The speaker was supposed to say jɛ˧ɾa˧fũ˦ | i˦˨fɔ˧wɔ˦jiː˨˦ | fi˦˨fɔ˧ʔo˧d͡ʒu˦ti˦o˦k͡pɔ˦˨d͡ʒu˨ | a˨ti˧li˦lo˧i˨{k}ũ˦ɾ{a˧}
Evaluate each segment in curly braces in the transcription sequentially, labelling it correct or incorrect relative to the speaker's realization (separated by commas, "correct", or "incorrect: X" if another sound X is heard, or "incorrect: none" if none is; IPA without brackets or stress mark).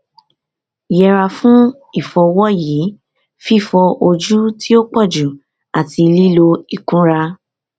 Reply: correct, correct